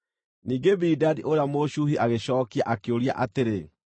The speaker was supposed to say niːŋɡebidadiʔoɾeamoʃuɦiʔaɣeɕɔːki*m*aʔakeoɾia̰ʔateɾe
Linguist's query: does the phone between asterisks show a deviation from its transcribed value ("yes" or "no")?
yes